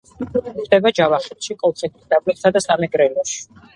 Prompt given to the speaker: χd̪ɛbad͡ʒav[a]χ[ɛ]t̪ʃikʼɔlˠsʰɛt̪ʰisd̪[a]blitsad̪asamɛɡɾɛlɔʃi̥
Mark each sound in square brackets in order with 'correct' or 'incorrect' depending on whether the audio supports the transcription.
correct, correct, correct

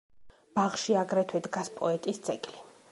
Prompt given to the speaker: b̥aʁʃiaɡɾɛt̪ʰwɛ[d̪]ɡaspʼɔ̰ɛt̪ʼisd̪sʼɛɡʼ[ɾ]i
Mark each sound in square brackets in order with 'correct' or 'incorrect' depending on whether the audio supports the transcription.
correct, incorrect

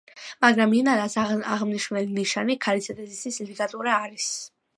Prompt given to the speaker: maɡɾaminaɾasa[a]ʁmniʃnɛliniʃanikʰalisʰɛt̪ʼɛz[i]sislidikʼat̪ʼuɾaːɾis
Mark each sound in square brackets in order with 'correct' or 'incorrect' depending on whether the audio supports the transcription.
correct, correct

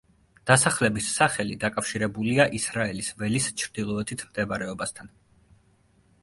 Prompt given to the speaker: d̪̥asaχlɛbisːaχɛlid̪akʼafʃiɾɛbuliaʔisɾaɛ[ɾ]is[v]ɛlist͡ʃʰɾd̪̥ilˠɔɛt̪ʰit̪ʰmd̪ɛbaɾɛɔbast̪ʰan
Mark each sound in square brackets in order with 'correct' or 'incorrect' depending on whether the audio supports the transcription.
incorrect, correct

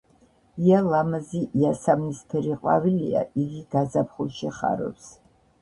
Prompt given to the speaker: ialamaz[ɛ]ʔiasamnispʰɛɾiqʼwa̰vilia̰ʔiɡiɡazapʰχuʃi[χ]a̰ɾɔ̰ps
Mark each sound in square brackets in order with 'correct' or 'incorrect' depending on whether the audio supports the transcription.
incorrect, correct

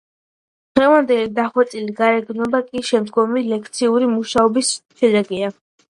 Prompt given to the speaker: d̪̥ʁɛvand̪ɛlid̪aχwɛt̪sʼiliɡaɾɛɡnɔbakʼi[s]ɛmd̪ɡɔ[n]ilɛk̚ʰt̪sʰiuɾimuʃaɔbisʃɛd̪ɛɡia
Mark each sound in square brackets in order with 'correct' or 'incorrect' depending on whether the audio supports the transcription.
incorrect, incorrect

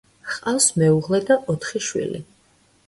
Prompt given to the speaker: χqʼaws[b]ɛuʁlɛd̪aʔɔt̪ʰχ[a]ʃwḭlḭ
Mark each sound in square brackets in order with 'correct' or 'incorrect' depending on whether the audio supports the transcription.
incorrect, incorrect

